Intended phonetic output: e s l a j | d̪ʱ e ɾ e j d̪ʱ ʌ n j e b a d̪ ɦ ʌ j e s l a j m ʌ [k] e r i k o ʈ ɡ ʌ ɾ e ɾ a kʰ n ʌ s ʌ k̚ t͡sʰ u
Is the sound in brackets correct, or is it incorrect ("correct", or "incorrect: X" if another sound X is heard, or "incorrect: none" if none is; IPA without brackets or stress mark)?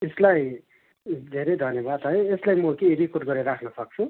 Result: correct